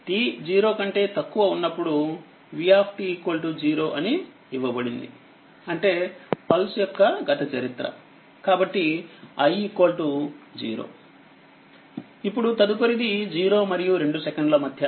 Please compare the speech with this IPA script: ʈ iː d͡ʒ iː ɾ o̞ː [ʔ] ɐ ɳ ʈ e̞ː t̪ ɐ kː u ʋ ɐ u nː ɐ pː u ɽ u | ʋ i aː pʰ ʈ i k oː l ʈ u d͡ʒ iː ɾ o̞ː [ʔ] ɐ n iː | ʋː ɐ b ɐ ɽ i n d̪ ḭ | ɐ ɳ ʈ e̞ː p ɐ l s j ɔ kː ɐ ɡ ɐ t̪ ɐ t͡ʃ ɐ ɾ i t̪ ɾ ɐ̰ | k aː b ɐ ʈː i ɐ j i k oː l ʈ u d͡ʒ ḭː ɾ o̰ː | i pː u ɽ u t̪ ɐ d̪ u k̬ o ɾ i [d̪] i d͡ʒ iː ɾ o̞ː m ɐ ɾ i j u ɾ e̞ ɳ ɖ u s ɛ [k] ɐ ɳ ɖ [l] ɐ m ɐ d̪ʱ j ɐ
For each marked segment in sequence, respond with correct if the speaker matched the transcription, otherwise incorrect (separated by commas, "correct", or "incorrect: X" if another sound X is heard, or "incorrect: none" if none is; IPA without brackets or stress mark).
incorrect: k, correct, correct, correct, correct